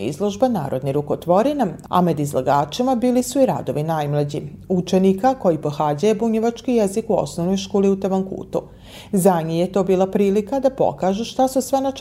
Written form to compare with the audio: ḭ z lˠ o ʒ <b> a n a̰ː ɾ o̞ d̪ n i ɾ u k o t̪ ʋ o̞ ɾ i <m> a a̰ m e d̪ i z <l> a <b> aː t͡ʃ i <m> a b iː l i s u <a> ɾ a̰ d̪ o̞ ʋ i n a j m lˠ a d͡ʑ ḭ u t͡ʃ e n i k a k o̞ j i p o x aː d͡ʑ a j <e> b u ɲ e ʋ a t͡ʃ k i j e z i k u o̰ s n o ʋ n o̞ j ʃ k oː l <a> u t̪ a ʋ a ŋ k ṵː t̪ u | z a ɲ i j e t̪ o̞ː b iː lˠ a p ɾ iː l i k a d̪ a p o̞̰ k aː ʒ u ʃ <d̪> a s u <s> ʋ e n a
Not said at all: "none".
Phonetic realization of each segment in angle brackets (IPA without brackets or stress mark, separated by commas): b, n, l, ɡ, m, i, e, i, t̪, s